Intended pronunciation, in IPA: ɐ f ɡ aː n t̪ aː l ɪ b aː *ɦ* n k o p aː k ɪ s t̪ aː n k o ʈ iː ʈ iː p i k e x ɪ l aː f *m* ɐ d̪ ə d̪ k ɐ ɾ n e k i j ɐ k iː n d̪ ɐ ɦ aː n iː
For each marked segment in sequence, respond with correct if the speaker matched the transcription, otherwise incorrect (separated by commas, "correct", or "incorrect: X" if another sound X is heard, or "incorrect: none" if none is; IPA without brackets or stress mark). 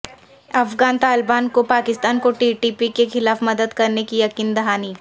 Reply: incorrect: none, correct